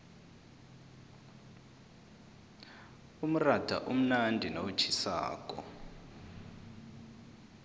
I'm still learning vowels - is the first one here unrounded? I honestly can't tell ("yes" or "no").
no